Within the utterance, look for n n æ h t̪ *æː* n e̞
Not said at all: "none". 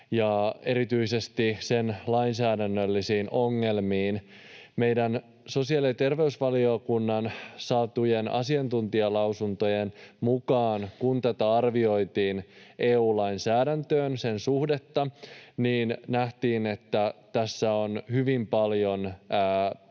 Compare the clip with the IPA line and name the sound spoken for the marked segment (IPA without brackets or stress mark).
iː